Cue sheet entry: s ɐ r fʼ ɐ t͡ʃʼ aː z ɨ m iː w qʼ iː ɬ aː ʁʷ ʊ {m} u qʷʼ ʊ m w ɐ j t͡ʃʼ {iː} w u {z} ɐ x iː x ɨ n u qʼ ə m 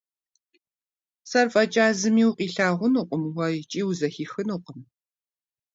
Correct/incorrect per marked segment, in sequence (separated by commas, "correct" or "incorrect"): incorrect, correct, correct